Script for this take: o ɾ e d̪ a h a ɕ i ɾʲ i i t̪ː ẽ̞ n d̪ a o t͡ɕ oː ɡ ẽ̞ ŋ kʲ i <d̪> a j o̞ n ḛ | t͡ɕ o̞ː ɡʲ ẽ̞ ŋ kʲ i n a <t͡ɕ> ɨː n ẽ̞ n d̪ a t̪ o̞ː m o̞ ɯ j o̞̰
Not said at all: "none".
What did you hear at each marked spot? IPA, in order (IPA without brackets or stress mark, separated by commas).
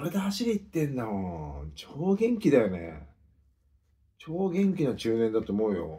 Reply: d̪, t͡ɕ